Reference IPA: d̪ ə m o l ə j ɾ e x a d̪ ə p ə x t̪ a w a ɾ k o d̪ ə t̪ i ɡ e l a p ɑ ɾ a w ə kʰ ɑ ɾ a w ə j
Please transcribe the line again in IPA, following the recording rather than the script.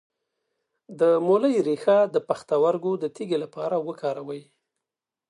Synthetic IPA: d̪ ə m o l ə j ɾ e x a d̪ ə p a x t̪ a w a ɾ ɡ o d̪ ə t̪ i ɡ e l a p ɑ ɾ a w ə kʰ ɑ ɾ a w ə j